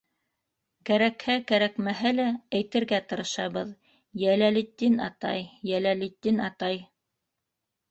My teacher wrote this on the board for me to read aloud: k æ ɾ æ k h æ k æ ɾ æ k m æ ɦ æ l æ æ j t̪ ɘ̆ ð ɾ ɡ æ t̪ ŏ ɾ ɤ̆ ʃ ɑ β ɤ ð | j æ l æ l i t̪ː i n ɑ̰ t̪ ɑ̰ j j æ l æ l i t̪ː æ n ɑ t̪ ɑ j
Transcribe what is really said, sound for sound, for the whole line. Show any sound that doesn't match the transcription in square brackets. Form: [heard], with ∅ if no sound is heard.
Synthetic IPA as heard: k æ ɾ æ k h æ k æ ɾ æ k m æ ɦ æ l æ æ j t̪ ɘ̆ [∅] ɾ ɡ æ t̪ [ɤ̆] ɾ ɤ̆ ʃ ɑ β ɤ ð | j æ l æ l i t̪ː i n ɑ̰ t̪ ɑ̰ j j æ l æ l i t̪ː [i] n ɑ t̪ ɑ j